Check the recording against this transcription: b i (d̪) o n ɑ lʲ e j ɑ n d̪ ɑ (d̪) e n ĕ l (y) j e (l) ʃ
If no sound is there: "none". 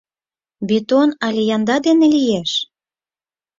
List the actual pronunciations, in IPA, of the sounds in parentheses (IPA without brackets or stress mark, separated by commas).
t̪, d̪, i, none